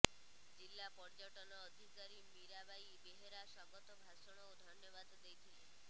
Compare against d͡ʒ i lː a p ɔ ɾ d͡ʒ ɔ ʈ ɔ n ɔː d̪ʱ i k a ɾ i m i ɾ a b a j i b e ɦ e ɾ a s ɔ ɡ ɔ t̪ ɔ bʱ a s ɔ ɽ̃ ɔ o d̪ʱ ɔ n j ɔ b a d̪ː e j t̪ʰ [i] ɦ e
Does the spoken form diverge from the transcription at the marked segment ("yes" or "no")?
no